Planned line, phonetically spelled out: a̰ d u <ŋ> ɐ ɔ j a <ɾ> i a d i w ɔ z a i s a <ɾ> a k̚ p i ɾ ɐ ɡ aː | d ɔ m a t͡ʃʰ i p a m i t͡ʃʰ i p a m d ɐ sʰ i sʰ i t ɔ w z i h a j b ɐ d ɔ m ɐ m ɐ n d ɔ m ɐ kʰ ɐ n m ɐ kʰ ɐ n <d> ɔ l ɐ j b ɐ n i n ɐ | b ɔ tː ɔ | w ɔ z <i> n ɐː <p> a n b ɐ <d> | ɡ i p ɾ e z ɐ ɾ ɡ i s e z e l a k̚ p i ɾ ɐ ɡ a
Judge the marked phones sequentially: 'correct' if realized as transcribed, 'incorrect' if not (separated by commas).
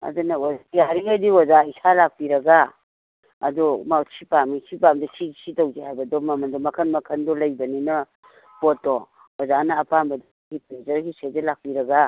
incorrect, correct, incorrect, correct, incorrect, correct, correct